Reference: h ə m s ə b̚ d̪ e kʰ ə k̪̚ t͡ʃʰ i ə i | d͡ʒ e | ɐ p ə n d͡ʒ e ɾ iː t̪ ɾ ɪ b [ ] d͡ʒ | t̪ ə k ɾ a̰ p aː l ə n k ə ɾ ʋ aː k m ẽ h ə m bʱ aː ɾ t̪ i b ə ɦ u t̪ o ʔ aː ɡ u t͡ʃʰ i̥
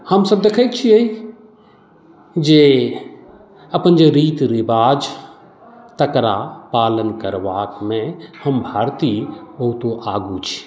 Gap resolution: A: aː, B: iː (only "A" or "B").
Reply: A